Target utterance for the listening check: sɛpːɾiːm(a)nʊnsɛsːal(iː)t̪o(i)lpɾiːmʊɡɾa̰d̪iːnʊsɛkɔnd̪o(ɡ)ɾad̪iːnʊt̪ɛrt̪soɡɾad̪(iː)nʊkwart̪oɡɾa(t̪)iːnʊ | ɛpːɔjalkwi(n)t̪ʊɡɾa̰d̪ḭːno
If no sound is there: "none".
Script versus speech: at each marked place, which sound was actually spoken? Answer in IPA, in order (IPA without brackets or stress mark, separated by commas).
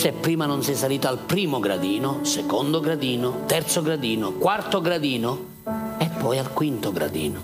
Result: a, iː, a, ɡ, iː, d̪, n